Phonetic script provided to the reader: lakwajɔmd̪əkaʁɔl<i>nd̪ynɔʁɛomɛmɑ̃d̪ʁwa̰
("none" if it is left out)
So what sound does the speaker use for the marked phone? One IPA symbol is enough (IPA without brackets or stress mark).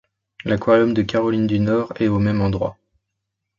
i